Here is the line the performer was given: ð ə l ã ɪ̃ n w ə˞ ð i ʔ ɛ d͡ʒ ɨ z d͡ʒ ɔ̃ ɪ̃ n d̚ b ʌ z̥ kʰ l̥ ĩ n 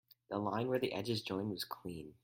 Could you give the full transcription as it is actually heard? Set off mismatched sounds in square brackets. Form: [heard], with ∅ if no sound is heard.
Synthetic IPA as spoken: ð ə l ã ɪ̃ n w ə˞ ð i ʔ ɛ d͡ʒ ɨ z d͡ʒ ɔ̃ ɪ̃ n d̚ [w] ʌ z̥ kʰ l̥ ĩ n